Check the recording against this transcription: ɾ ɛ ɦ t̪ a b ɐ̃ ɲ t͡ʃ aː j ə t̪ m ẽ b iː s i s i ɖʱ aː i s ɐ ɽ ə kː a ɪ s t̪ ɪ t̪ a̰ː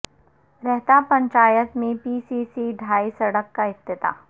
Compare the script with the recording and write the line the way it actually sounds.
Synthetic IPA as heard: ɾ ɛ ɦ t̪ a p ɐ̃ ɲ t͡ʃ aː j ə t̪ m ẽ p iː s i s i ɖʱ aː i s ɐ ɽ ə kː a ɪ s t̪ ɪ t̪ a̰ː